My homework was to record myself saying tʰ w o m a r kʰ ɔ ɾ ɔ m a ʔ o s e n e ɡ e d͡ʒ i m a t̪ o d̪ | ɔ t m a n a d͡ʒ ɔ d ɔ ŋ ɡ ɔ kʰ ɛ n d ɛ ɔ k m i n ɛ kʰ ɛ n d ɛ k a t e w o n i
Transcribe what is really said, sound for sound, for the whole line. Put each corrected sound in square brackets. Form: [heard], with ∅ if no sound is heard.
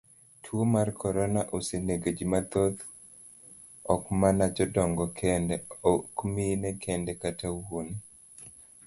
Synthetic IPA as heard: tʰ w o m a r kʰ ɔ ɾ ɔ [n] a ʔ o s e n e ɡ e d͡ʒ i m a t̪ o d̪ | ɔ [k] m a n a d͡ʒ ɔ d ɔ ŋ ɡ ɔ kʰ ɛ n d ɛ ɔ k m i n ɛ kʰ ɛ n d ɛ k a t [a] w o n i